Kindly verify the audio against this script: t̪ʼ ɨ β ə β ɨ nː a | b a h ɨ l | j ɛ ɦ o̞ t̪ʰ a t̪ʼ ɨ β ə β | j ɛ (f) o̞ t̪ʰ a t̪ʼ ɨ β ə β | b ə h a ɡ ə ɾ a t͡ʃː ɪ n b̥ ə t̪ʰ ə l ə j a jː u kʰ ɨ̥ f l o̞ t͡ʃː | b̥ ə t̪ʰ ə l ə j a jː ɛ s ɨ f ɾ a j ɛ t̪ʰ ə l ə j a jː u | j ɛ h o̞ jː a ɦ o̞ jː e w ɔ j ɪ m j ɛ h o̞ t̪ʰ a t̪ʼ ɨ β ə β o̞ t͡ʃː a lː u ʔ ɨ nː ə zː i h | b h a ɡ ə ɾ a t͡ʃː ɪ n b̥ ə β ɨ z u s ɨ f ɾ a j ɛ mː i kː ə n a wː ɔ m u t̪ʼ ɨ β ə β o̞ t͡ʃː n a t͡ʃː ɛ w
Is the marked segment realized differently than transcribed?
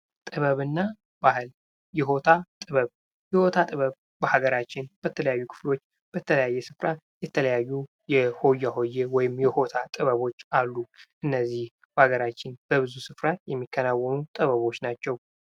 yes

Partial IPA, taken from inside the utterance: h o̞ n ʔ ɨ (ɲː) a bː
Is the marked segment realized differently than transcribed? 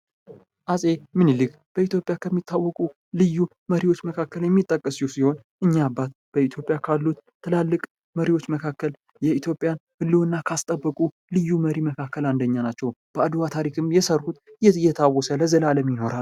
no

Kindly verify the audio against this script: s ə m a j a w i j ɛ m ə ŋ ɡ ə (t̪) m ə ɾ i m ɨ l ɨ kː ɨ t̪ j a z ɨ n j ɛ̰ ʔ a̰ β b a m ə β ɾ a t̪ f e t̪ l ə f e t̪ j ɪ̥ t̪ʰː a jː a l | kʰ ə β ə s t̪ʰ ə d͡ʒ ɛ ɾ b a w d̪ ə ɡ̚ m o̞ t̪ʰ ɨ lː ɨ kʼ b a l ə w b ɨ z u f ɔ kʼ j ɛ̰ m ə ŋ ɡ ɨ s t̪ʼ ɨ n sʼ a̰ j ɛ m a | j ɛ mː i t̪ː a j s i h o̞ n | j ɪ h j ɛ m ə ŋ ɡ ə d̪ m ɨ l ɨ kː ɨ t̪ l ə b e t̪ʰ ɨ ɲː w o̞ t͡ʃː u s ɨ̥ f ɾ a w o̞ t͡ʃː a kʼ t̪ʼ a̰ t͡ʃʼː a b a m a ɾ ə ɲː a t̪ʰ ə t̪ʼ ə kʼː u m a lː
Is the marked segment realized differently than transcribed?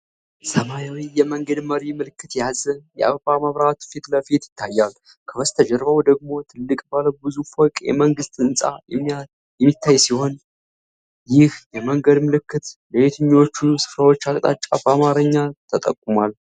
yes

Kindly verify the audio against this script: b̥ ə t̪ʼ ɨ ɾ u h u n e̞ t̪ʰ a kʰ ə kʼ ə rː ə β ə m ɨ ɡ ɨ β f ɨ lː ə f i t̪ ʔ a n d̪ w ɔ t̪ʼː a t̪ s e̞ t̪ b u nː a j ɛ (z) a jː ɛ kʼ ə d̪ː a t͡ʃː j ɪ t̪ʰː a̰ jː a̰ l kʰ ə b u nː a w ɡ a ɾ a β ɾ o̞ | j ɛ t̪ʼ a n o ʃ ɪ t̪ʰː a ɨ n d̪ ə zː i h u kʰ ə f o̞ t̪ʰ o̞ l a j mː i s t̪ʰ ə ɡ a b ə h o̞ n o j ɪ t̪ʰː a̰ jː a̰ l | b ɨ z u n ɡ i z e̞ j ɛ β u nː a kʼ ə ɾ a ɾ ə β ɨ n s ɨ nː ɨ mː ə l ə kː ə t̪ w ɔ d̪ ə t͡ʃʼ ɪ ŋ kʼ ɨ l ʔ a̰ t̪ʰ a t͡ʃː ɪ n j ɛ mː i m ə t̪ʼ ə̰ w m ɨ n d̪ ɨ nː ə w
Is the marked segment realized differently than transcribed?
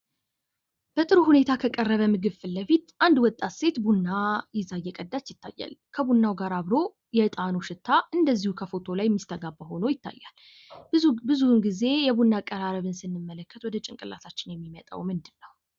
no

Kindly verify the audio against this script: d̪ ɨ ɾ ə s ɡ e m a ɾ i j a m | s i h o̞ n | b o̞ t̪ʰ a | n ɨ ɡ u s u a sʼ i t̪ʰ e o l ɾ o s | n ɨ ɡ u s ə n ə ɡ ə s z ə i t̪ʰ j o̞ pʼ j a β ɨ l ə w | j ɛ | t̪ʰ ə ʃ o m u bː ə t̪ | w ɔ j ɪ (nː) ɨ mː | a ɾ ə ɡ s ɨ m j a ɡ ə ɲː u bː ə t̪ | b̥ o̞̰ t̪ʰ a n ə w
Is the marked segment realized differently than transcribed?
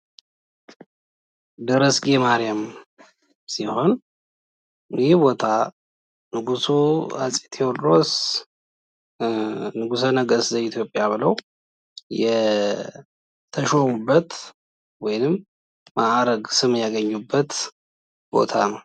yes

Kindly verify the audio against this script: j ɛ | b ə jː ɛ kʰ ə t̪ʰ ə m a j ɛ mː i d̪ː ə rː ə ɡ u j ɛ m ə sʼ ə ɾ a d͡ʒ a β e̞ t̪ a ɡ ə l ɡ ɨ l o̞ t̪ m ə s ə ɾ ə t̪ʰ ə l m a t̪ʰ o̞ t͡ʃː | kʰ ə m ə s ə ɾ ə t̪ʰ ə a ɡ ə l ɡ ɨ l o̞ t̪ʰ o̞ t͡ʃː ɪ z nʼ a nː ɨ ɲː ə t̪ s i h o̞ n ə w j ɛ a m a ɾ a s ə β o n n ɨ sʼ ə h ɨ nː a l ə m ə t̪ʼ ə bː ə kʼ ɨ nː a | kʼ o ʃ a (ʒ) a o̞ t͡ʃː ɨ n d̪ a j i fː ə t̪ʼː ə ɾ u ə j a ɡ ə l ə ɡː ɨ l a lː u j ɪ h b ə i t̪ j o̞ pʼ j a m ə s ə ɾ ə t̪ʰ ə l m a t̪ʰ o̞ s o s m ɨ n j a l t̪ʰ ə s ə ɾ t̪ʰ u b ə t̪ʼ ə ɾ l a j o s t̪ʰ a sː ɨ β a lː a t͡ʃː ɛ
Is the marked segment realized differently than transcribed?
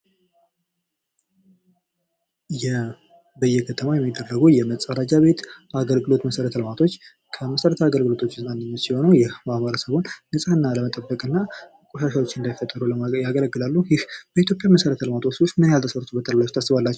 yes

